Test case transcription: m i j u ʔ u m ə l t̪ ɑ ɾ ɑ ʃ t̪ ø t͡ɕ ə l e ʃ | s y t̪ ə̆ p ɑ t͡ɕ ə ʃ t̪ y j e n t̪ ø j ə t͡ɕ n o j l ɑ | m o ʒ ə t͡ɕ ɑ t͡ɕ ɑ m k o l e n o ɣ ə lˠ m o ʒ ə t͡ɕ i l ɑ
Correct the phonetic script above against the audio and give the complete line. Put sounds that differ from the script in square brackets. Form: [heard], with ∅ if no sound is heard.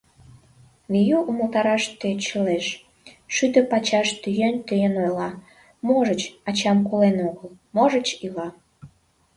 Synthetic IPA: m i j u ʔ u m ə l t̪ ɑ ɾ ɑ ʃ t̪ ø t͡ɕ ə l e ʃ | [ʃ] y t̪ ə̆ p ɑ t͡ɕ [ɑ] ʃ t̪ y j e n t̪ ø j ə [∅] n o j l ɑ | m o ʒ ə t͡ɕ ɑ t͡ɕ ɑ m k o l e n o ɣ ə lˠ m o ʒ ə t͡ɕ i l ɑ